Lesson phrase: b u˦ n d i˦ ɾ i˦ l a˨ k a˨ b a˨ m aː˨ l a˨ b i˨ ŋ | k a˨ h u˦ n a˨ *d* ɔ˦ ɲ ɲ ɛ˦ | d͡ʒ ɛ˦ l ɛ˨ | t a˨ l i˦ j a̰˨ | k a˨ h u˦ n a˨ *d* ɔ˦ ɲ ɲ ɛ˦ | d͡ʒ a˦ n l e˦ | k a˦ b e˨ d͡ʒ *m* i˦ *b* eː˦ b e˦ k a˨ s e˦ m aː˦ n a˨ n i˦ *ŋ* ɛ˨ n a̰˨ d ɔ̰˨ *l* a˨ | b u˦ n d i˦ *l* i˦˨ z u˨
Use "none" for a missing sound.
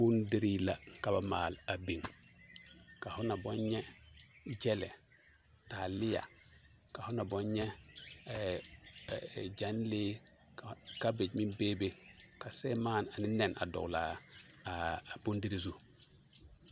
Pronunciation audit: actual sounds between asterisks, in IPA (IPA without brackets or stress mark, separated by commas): b, b, m, b, n, l, ɾ